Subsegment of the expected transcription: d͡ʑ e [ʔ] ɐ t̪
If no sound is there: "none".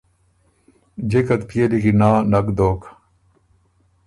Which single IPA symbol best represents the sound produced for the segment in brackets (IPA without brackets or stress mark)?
k